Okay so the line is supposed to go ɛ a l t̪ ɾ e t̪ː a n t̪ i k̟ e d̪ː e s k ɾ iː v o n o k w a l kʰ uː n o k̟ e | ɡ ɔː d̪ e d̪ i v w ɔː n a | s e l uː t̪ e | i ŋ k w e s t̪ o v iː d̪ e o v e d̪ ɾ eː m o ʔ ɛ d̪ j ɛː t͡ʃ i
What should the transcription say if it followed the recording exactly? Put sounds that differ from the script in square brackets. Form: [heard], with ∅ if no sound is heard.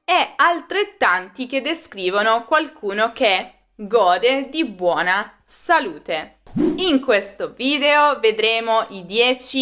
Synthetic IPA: ɛ a l t̪ ɾ e t̪ː a n t̪ i k̟ e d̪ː e s k ɾ iː v o n o k w a l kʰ uː n o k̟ e | ɡ ɔː d̪ e d̪ i [b] w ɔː n a | s [a] l uː t̪ e | i ŋ k w e s t̪ o v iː d̪ e o v e d̪ ɾ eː m o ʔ [i] d̪ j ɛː t͡ʃ i